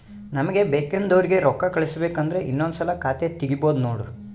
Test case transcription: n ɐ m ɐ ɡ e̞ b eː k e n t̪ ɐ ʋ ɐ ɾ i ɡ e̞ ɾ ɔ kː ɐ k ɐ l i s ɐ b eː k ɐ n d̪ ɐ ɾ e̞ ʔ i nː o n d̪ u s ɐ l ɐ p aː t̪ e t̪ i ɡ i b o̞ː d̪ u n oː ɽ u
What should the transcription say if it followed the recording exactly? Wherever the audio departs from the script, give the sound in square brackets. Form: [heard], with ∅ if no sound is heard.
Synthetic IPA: n ɐ m ɐ ɡ e̞ b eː k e n [d̪] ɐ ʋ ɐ ɾ i ɡ e̞ ɾ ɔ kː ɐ k ɐ [ɭ] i s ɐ b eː k ɐ n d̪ ɐ ɾ e̞ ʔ i nː o n d̪ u s ɐ l ɐ [k] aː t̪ e t̪ i ɡ i b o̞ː d̪ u n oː ɽ u